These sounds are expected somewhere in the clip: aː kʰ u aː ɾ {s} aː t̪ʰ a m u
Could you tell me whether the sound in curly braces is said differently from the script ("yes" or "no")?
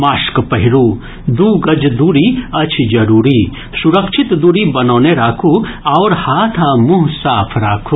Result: yes